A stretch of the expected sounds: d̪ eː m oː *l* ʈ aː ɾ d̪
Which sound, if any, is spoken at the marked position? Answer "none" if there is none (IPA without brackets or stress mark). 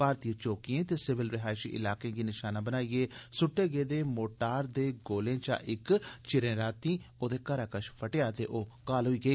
none